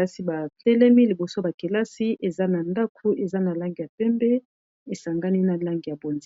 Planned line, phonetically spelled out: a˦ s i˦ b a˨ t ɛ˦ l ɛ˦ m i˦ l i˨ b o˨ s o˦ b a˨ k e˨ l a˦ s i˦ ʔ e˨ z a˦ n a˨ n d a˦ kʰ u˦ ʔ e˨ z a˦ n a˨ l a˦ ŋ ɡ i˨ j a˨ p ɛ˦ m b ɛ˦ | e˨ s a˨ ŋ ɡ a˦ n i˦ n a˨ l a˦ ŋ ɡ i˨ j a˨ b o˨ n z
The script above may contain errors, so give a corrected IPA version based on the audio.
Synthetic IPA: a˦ s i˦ b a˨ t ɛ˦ l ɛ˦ m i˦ l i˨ b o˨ s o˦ b a˨ k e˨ l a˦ s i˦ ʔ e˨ z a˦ n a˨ n d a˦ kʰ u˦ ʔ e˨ z a˦ n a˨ l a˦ ŋ ɡ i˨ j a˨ p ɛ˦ m b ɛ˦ | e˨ s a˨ ŋ ɡ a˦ n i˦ n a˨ l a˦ ŋ ɡ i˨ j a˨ b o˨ n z